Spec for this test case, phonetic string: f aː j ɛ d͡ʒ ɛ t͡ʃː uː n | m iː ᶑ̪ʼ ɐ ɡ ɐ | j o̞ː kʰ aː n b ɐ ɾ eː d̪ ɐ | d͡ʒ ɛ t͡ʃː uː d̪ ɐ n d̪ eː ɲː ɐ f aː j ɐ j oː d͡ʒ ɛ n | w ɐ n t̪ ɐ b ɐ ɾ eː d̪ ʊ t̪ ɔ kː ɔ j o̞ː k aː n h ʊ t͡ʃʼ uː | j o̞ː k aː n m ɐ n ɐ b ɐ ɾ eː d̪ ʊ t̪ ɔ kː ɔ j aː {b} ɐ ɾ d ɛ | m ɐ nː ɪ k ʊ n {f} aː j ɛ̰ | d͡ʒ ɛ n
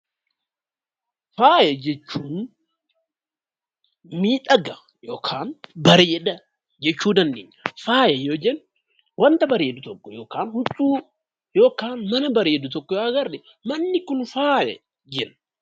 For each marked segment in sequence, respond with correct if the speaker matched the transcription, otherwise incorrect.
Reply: incorrect, correct

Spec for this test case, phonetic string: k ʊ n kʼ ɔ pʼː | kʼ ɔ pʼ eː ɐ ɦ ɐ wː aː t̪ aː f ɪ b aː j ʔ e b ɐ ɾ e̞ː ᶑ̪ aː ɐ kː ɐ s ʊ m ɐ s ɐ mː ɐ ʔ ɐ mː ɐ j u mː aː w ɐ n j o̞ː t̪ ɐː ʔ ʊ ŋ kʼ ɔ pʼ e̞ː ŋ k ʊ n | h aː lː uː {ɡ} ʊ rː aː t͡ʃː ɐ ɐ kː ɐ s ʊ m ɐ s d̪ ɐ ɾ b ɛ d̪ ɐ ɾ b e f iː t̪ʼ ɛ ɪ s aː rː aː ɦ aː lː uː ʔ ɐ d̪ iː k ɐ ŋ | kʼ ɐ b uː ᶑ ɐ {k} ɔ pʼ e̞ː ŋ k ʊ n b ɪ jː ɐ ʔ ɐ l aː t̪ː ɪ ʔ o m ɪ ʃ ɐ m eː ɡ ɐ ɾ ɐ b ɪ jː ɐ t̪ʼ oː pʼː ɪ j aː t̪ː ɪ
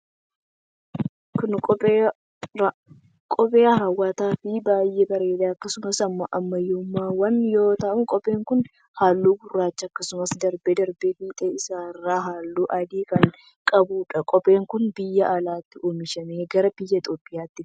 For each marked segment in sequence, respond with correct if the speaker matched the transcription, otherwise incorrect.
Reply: incorrect, incorrect

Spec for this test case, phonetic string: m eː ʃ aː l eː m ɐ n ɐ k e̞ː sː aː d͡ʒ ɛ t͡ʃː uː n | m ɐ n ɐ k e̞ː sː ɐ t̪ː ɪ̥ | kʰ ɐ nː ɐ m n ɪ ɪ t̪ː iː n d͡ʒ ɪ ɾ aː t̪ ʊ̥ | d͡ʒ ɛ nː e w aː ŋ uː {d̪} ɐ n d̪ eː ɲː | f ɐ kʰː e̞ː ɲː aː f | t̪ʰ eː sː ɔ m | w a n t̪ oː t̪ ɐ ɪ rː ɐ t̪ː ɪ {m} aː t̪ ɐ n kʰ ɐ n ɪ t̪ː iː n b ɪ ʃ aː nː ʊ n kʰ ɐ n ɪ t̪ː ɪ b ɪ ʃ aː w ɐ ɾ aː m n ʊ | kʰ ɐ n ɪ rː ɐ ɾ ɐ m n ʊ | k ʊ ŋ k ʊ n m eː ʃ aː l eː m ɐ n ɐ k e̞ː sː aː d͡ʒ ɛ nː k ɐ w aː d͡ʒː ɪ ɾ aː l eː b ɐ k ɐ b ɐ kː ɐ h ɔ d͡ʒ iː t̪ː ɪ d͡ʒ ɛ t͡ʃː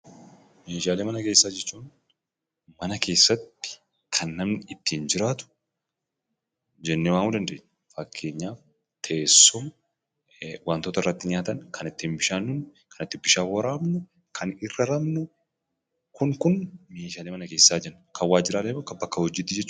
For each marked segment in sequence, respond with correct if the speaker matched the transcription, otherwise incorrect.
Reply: correct, incorrect

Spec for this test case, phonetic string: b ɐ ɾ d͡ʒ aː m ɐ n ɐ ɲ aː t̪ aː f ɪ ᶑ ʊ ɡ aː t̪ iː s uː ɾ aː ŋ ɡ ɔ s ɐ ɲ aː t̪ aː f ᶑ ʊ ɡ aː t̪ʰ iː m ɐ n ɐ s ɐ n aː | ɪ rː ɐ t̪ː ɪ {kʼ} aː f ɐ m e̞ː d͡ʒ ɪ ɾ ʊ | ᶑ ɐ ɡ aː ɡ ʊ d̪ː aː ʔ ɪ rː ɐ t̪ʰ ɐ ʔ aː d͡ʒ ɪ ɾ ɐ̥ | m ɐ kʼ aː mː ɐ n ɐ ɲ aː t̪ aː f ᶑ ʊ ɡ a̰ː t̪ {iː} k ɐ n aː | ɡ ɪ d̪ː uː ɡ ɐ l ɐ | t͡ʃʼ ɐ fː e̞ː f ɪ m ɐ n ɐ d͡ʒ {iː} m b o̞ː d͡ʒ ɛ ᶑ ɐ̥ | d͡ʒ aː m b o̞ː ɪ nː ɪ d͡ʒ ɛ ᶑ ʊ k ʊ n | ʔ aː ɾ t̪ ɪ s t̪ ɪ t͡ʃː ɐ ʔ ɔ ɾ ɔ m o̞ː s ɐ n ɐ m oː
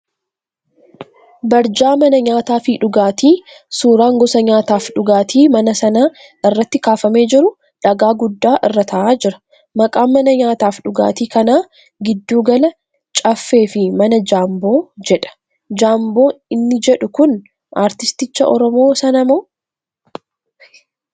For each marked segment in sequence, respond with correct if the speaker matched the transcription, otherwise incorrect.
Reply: incorrect, correct, incorrect

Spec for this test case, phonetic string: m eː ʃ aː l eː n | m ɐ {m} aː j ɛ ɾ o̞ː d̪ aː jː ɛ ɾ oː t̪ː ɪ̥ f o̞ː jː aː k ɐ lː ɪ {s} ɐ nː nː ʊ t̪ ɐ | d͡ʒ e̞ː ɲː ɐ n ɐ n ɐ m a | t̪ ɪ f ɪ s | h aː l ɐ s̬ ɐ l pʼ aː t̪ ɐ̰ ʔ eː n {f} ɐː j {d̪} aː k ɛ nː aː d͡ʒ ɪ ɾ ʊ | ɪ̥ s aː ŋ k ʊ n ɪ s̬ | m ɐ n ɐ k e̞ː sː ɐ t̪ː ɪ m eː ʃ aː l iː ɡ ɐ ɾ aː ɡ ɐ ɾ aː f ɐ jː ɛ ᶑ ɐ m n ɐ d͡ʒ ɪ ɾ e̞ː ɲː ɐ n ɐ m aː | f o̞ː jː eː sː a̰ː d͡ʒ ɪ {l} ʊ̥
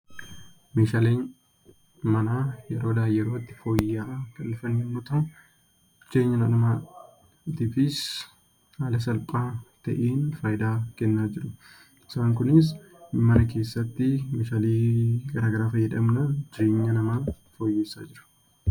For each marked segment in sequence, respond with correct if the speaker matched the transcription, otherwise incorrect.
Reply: incorrect, incorrect, correct, correct, incorrect

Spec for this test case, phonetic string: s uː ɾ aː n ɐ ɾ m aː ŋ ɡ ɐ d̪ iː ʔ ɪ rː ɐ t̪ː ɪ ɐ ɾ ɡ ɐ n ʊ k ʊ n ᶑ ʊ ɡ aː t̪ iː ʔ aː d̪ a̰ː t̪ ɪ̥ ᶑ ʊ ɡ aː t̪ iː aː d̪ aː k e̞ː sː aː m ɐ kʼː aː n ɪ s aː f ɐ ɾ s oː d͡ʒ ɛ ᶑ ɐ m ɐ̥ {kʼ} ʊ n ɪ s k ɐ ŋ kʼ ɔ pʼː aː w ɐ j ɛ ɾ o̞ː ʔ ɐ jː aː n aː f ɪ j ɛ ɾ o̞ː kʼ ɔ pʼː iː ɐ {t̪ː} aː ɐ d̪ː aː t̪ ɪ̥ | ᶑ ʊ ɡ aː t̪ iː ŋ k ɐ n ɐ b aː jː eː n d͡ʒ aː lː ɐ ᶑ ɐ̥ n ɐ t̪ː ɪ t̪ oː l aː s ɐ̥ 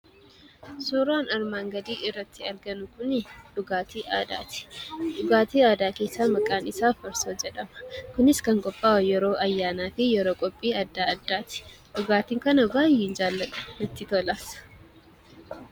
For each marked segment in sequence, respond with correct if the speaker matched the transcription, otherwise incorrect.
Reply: incorrect, incorrect

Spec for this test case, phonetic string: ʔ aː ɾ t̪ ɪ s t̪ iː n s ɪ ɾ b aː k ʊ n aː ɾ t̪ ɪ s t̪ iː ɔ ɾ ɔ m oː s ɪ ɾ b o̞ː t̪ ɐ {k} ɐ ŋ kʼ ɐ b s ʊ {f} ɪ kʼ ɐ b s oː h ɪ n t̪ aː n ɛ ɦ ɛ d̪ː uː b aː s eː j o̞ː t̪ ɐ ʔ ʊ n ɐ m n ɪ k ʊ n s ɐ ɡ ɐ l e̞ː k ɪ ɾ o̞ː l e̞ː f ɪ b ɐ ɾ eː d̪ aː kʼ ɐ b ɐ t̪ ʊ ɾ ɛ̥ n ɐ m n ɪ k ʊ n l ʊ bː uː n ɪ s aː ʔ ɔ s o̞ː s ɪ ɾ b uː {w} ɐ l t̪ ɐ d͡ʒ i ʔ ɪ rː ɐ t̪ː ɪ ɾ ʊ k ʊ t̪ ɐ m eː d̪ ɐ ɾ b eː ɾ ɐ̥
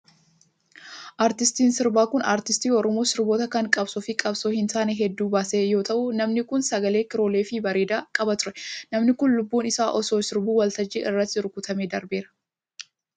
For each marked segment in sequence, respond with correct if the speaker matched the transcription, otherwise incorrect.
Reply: correct, correct, correct

